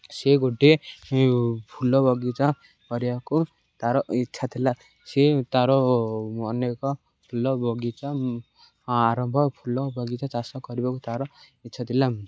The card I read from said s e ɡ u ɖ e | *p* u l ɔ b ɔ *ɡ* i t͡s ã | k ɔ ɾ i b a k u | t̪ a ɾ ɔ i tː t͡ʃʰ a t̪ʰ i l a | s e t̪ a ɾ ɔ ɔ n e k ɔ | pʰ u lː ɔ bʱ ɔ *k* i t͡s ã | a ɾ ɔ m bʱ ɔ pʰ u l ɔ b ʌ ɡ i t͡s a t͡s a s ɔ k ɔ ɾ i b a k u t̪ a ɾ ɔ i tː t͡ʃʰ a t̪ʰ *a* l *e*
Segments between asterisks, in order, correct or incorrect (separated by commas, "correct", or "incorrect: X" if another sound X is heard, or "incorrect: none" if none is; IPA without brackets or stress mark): incorrect: pʰ, correct, incorrect: ɡ, incorrect: i, incorrect: a